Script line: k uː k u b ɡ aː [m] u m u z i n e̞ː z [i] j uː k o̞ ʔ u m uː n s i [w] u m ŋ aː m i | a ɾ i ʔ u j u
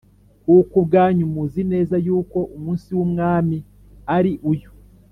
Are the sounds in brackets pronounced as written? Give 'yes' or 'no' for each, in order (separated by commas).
no, no, yes